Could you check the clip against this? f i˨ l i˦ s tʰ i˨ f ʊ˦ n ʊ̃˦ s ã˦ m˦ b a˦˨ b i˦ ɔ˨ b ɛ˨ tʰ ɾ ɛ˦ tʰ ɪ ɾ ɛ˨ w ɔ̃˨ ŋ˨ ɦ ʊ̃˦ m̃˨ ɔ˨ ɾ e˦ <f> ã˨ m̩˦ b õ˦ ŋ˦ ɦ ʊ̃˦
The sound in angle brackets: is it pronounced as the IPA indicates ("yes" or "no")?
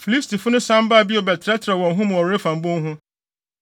yes